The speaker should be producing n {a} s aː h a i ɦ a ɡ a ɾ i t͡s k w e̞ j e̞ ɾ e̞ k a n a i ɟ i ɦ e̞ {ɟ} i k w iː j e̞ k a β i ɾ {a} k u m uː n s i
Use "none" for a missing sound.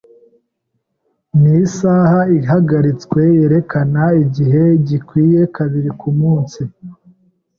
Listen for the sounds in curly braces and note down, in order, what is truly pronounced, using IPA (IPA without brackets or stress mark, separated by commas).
i, ɟ, i